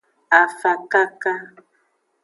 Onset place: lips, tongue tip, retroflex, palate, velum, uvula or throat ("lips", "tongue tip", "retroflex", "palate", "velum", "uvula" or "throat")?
lips